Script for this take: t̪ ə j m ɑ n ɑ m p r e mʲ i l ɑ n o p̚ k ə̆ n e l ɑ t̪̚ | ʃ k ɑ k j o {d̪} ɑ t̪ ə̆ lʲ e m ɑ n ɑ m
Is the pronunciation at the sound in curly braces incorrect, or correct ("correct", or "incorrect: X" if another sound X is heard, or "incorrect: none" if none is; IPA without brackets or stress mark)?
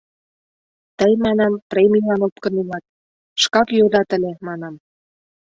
correct